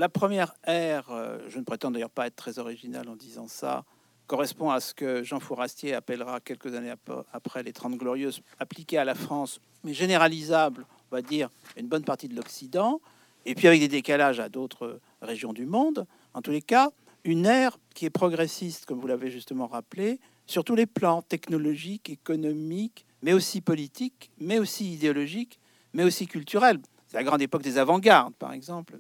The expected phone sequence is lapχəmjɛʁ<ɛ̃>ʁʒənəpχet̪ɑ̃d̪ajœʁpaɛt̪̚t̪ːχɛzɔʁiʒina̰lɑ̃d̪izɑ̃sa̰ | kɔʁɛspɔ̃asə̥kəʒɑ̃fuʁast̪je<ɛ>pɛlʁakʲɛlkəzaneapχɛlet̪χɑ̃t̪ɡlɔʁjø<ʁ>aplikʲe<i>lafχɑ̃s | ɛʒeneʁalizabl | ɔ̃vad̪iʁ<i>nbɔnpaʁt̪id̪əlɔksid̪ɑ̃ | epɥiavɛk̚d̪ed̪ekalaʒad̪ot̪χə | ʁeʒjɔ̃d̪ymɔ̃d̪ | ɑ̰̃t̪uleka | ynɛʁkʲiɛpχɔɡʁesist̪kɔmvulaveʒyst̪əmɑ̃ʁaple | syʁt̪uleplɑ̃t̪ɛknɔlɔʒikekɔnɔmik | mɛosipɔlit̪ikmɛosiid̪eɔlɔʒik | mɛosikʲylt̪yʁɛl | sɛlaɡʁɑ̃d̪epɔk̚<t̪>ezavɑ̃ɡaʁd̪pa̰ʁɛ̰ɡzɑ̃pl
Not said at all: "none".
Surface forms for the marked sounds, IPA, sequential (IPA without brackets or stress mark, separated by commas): ɛ, a, z, a, y, d̪